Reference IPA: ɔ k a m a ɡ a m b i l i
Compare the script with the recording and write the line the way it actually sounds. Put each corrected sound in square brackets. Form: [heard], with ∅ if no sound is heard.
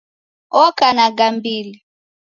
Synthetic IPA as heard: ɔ k a [n] a ɡ a m b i l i